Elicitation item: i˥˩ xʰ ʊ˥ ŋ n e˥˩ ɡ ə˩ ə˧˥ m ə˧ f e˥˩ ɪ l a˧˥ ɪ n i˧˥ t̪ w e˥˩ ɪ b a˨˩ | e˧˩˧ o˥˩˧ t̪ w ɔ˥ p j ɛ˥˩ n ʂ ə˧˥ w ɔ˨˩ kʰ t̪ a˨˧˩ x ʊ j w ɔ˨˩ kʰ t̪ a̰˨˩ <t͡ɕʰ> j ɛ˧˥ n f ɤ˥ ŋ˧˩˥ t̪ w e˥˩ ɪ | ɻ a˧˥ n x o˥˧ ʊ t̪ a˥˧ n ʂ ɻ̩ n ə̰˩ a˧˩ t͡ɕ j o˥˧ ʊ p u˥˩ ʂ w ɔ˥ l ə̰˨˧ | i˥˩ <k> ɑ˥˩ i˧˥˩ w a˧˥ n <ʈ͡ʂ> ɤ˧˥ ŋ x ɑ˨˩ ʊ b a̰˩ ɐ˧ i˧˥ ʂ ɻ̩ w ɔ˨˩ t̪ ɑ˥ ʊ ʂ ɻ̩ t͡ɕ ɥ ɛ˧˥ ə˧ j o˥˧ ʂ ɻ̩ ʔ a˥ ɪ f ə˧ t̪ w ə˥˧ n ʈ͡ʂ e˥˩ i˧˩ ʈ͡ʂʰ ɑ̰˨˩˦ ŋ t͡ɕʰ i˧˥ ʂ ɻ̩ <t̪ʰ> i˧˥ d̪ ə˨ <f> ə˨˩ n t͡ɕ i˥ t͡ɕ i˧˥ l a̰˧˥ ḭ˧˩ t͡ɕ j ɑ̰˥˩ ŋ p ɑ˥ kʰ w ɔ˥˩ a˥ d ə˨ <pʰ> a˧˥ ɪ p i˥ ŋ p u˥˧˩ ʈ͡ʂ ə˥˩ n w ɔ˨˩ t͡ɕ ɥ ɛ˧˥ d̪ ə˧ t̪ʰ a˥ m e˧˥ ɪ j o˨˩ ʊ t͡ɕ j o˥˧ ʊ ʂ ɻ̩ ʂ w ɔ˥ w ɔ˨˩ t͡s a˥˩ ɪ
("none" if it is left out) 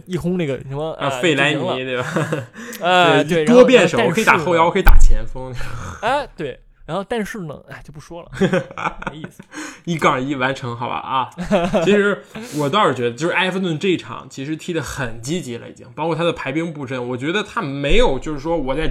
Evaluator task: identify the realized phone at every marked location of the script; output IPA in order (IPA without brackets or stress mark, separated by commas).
t͡ɕʰ, k, ʈ͡ʂʰ, t̪ʰ, x, pʰ